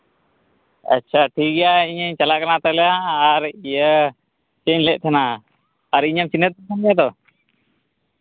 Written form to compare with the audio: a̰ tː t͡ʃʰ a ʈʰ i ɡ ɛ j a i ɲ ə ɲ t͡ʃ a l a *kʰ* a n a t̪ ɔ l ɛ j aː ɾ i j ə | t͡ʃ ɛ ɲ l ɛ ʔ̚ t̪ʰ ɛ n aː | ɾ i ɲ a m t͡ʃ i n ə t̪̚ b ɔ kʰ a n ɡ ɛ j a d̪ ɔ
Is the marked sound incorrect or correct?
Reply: incorrect